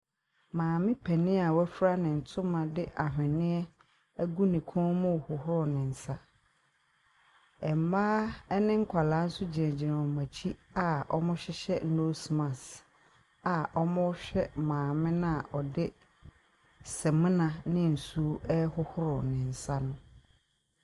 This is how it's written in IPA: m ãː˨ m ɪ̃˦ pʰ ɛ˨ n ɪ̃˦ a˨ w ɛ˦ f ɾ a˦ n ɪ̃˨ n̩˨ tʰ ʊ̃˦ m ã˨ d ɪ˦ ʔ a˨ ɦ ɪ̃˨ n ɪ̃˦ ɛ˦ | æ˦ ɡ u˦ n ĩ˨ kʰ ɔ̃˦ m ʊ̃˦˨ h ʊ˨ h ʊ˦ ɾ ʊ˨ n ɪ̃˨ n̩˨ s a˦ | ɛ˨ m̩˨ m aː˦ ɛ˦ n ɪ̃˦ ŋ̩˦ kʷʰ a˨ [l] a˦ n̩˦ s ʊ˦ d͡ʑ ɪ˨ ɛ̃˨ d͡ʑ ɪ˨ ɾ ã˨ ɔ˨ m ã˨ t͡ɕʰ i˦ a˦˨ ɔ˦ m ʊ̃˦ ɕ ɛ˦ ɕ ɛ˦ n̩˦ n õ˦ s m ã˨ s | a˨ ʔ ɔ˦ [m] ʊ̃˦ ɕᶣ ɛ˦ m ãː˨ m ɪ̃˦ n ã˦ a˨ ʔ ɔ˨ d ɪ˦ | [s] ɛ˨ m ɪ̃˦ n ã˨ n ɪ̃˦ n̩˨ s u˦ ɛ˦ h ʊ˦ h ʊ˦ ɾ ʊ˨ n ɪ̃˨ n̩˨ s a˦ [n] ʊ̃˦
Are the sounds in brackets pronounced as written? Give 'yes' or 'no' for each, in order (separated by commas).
yes, yes, yes, yes